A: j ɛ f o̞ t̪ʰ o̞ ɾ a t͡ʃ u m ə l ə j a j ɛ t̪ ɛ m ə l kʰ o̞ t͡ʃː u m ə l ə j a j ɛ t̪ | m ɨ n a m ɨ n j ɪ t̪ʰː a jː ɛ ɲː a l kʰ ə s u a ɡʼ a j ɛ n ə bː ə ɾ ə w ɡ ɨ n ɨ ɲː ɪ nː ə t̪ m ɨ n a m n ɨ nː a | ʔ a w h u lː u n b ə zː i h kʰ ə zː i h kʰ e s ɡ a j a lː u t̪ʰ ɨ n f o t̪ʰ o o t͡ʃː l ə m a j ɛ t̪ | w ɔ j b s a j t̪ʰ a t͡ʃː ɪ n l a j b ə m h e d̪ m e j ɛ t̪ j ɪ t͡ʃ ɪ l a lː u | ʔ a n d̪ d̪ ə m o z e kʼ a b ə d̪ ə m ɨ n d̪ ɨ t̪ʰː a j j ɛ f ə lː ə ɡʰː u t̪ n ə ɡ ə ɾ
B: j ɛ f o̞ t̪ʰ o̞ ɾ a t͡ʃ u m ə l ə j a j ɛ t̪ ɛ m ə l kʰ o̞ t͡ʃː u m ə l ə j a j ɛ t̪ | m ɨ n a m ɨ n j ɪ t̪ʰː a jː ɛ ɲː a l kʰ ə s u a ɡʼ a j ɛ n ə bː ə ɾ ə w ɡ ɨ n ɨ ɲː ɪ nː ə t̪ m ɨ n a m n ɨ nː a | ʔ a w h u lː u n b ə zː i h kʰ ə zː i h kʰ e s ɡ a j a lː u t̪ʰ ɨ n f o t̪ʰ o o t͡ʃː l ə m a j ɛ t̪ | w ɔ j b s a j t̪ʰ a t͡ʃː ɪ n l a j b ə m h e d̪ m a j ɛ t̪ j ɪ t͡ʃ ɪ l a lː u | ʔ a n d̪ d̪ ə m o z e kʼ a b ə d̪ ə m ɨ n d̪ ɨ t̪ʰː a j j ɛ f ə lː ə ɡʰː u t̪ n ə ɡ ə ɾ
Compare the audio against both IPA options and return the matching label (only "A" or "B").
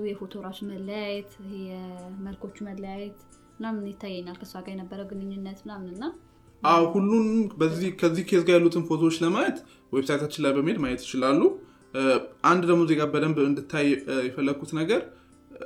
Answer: B